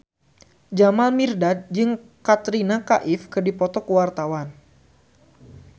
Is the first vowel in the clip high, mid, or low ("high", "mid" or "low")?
low